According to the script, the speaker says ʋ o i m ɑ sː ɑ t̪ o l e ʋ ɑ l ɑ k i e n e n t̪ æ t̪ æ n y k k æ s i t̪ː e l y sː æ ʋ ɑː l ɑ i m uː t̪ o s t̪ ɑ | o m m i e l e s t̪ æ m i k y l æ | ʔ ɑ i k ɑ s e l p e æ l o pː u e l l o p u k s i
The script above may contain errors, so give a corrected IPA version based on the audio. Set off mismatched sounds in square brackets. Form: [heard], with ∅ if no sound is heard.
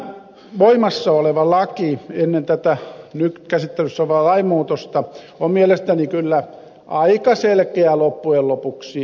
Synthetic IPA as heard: ʋ o i m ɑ sː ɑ [∅] o l e ʋ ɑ l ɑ k i e [nː] e n t̪ æ t̪ æ n y k k æ s i t̪ː e l y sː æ ʋ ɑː l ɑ i m uː t̪ o s t̪ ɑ | o m m i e l e s t̪ æ [n] i k y [lː] æ | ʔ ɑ i k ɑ s e l [k] e æ l o pː u e l l o p u k s i

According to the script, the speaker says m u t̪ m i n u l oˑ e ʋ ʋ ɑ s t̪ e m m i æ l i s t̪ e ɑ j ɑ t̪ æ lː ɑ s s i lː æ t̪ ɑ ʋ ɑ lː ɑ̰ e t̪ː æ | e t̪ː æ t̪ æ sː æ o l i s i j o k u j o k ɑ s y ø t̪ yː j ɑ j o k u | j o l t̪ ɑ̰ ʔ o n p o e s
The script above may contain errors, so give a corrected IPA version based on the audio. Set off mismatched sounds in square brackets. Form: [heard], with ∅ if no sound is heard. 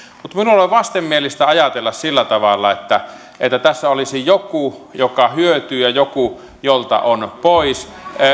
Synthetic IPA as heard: m u t̪ m i n u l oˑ e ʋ ʋ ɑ s t̪ e m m i [e] l i s t̪ [æ] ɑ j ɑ t̪ [e] lː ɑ s s i lː æ t̪ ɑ ʋ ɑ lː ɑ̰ e t̪ː æ | e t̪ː æ t̪ æ sː æ o l i s i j o k u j o k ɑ [h] y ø t̪ yː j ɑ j o k u | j o l t̪ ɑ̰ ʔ o n p o [i] s

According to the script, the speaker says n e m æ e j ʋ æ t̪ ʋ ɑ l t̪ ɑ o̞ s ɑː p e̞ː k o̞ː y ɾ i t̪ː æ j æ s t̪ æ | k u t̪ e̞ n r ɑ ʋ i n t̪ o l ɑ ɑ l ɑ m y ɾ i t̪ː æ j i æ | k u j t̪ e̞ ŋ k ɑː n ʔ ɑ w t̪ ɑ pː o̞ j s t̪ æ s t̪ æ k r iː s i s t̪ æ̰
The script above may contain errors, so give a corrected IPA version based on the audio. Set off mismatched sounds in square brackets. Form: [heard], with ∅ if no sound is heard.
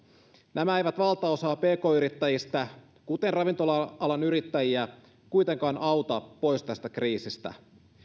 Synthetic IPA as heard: n [æ] m æ e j ʋ æ t̪ ʋ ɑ l t̪ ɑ o̞ s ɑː p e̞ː k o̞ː y ɾ i t̪ː æ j [i] s t̪ æ | k u t̪ e̞ n r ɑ ʋ i n t̪ o l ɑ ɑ l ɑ [n] y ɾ i t̪ː æ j i æ | k u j t̪ e̞ ŋ k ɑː n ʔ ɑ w t̪ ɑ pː o̞ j s t̪ æ s t̪ æ k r iː s i s t̪ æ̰

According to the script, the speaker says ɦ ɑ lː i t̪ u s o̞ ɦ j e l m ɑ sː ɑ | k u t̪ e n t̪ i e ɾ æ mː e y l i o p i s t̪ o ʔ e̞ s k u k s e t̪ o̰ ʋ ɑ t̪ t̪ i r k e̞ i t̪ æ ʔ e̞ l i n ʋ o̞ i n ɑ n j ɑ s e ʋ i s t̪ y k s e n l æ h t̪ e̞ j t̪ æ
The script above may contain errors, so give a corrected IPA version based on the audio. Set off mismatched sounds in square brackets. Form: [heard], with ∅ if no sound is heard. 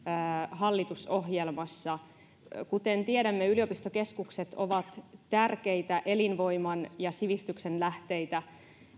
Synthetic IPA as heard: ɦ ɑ lː i t̪ u s o̞ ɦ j e l m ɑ sː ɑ | k u t̪ e n t̪ i e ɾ æ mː e y l i o p i s t̪ o [k] e̞ s k u k s e t̪ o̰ ʋ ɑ t̪ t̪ [æ] r k e̞ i t̪ æ ʔ e̞ l i n ʋ o̞ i [m] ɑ n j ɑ s [i] ʋ i s t̪ y k s e n l æ h t̪ e̞ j t̪ æ

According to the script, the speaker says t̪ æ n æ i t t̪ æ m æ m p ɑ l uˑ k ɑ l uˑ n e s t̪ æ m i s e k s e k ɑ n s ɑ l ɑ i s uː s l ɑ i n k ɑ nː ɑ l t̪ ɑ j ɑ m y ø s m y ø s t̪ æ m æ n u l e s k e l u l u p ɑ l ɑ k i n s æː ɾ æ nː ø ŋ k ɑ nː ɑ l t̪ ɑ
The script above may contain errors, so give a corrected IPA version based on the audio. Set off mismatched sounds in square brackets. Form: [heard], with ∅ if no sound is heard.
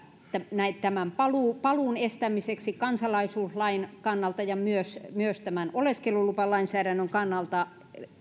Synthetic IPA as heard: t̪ æ n æ i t t̪ æ m æ m p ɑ l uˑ [p] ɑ l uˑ n e s t̪ æ m i s e k s [i] k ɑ n s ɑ l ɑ i s uː s l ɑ i n k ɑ nː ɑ l t̪ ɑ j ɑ m y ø s m y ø s t̪ æ m æ n [o] l e s k e l u l u p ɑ l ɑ [∅] i n s æː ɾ æ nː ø ŋ k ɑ nː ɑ l t̪ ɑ

